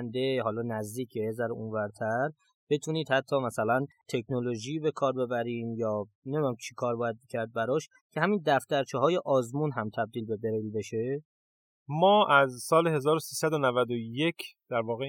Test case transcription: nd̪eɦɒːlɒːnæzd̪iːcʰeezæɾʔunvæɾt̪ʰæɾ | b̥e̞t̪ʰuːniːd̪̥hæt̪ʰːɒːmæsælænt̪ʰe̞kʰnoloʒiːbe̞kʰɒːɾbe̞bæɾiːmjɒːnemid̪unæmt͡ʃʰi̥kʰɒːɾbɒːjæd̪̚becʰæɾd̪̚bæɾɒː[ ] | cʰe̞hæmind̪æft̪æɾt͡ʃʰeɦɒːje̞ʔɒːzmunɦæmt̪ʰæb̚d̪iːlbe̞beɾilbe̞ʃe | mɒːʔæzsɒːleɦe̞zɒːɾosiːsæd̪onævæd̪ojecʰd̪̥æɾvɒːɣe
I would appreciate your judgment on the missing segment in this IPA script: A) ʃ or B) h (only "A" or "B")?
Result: A